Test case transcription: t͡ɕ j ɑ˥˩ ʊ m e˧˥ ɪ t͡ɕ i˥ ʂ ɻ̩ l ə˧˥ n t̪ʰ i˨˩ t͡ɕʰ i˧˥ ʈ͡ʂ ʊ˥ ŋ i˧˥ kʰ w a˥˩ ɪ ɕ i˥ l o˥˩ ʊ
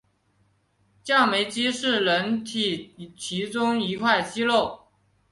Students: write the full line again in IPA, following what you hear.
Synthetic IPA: t͡ɕ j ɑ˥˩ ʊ m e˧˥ ɪ t͡ɕ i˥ ʂ ɻ̩ l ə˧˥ n t̪ʰ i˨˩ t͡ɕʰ i˧˥ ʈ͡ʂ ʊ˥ ŋ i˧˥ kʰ w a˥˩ ɪ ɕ i˥ l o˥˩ ʊ